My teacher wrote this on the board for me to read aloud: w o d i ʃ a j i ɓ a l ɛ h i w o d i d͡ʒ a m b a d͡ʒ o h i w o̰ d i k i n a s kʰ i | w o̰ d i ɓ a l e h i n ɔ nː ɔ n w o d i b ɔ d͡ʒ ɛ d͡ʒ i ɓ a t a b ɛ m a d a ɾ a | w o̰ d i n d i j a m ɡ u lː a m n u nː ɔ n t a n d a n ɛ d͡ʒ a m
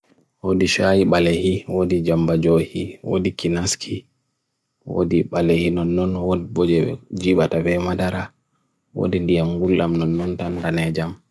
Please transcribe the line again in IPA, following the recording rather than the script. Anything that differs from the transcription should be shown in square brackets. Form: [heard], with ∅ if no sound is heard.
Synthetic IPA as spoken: w o d i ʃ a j i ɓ a l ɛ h i w o d i d͡ʒ a m b a d͡ʒ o h i w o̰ d i k i n a s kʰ i | w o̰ d i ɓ a l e h i n ɔ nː ɔ n w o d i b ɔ d͡ʒ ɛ d͡ʒ i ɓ a t a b ɛ m a d a ɾ a | w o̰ d i n d i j a m ɡ u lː a m n [ɔ] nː ɔ n t a n d a n ɛ d͡ʒ a m